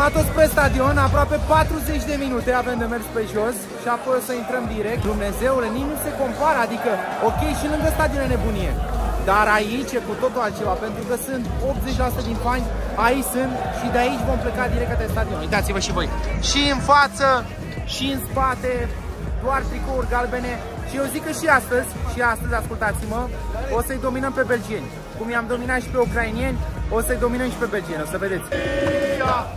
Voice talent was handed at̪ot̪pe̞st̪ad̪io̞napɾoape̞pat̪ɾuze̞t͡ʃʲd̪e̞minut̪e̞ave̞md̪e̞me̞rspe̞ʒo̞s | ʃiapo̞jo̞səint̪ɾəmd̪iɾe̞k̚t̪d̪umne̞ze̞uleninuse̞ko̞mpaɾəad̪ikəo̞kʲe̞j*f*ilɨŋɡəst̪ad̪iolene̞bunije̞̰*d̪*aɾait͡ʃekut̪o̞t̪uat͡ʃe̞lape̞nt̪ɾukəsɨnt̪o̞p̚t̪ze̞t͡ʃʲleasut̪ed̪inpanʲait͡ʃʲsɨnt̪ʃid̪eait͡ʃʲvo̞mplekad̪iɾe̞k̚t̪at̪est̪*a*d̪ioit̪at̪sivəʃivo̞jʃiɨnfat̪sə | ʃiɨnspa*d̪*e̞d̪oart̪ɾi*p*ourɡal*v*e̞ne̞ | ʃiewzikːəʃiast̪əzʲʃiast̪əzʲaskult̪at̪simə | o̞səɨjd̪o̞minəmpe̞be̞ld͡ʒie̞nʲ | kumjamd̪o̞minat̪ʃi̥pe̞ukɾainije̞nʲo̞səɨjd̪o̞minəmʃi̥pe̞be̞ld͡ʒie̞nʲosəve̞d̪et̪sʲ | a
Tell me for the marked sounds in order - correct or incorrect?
incorrect: ʃ, correct, correct, incorrect: t̪, incorrect: k, incorrect: b

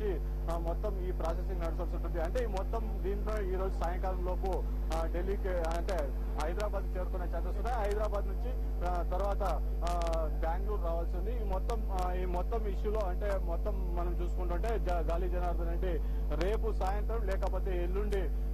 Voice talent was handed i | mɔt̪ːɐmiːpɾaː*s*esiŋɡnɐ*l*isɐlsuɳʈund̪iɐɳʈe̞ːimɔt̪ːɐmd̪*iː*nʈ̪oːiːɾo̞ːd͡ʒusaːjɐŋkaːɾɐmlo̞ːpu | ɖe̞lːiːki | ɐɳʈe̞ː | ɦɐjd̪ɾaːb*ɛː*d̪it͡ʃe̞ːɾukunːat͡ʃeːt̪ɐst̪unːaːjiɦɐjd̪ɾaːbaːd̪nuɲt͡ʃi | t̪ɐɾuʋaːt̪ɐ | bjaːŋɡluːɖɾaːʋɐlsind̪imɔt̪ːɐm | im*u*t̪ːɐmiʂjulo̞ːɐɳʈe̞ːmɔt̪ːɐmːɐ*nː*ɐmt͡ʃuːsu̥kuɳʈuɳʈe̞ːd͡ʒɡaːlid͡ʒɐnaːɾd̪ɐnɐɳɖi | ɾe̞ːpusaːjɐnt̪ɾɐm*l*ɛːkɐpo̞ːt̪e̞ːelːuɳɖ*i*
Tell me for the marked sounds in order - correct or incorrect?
correct, incorrect: ɽ, correct, incorrect: aː, incorrect: ɔ, incorrect: n, correct, correct

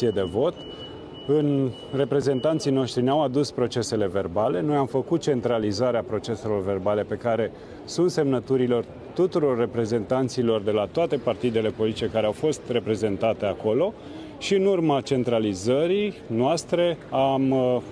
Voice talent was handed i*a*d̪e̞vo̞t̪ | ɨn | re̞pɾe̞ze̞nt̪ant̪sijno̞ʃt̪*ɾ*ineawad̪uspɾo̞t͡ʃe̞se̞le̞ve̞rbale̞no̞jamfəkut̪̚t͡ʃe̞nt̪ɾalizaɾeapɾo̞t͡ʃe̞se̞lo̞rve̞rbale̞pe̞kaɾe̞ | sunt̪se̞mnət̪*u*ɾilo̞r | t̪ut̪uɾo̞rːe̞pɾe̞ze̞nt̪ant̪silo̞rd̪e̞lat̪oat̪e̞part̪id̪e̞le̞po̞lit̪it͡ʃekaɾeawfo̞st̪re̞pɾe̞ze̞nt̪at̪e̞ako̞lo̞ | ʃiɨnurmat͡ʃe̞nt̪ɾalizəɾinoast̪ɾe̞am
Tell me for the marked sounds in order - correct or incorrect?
incorrect: e, correct, correct

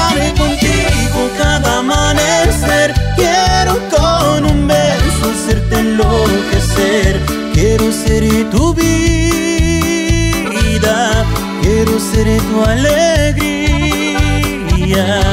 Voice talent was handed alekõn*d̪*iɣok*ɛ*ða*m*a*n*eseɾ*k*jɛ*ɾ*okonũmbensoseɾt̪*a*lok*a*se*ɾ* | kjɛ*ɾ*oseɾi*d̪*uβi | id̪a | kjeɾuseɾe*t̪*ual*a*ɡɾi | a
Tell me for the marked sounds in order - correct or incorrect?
incorrect: t̪, incorrect: a, correct, correct, correct, correct, incorrect: e, incorrect: e, correct, correct, incorrect: t̪, correct, incorrect: e

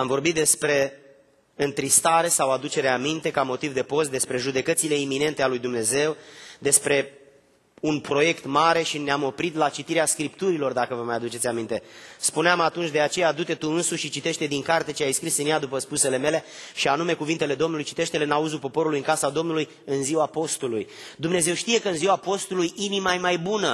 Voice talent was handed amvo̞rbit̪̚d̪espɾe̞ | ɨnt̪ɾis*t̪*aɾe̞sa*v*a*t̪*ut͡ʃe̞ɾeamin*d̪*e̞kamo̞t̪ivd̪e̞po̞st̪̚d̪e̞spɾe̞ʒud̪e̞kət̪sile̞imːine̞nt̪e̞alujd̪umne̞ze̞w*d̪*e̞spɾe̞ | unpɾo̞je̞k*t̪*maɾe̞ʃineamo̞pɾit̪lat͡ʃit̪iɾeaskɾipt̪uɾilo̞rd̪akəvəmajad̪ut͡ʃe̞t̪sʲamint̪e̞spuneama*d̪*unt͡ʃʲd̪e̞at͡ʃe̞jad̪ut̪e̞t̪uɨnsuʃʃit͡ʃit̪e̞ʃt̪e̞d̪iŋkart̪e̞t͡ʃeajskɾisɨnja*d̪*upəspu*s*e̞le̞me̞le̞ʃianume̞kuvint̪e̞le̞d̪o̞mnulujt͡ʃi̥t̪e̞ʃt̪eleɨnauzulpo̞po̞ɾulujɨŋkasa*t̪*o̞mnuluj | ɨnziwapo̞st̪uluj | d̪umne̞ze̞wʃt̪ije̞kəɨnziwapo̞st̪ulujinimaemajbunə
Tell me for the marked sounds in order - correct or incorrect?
correct, incorrect: w, incorrect: d̪, incorrect: t̪, correct, correct, incorrect: t̪, correct, correct, incorrect: d̪

